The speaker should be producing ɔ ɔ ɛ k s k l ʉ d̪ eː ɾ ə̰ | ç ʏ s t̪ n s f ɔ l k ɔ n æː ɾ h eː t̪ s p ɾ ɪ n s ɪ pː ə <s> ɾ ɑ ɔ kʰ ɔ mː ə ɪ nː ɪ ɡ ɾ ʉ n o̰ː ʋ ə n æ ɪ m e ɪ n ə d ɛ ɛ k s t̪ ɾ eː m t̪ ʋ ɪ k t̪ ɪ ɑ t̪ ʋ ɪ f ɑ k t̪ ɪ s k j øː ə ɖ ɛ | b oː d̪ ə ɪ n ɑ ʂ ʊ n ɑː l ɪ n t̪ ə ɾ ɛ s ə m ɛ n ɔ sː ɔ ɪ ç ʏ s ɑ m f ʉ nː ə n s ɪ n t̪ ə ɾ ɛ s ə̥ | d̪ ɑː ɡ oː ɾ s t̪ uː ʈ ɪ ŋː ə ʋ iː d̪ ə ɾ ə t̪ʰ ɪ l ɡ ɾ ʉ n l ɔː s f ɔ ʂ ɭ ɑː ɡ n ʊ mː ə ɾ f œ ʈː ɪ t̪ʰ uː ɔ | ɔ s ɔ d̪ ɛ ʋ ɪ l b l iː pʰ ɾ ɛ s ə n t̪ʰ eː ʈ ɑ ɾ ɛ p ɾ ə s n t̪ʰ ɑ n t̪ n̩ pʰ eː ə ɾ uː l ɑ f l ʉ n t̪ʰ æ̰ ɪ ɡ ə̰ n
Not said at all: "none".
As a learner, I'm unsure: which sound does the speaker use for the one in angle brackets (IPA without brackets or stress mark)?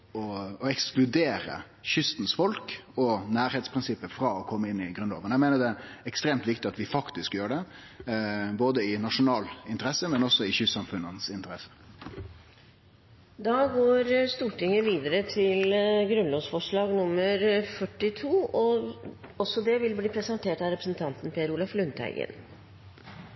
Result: f